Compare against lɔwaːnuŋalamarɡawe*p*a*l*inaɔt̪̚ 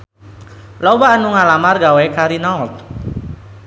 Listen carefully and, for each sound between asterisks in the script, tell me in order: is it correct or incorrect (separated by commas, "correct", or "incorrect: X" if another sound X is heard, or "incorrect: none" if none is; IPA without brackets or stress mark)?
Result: incorrect: k, incorrect: ɾ